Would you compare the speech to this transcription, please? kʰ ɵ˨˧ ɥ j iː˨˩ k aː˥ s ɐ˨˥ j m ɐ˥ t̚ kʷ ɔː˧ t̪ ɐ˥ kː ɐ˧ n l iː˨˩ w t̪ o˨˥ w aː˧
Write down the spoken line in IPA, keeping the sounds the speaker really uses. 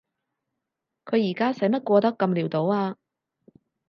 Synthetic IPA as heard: kʰ ɵ˨˧ ɥ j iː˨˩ k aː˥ s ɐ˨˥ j m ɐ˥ t̚ kʷ ɔː˧ t̪ ɐ˥ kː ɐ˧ m l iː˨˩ w t̪ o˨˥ w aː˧